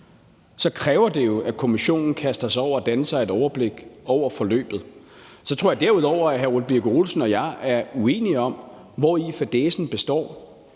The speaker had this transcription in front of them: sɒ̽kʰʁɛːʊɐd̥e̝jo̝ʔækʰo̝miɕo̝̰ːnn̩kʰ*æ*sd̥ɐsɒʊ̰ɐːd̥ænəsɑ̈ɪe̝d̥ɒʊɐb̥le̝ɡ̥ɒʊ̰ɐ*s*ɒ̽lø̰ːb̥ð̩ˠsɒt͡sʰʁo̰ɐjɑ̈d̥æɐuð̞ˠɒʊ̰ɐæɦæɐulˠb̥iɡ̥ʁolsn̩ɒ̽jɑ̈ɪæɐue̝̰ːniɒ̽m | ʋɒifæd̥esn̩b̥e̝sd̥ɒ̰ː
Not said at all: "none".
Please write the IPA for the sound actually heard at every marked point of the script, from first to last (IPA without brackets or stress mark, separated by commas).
æ, f